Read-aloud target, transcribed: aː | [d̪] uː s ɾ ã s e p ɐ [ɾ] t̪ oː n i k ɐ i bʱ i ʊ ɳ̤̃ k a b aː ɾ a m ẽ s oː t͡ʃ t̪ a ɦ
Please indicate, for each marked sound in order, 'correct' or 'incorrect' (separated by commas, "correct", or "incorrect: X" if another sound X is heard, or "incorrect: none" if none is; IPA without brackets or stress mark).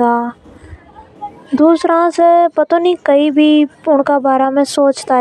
correct, incorrect: none